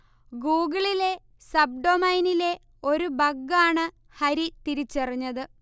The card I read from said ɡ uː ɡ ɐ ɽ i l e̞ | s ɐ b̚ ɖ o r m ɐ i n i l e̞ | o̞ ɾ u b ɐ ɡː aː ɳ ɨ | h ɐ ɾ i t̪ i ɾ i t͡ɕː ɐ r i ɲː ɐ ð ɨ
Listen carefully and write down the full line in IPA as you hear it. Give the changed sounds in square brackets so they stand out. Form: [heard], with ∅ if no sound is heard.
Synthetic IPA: ɡ uː ɡ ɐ [ɭ] i l e̞ | s ɐ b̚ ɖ o [∅] m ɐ [j] n i l e̞ | o̞ ɾ u b ɐ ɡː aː ɳ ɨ | h ɐ ɾ i t̪ i ɾ i t͡ɕː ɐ r i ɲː ɐ ð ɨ